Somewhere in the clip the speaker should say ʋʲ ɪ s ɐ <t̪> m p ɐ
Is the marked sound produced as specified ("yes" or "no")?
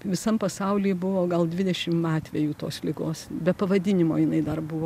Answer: no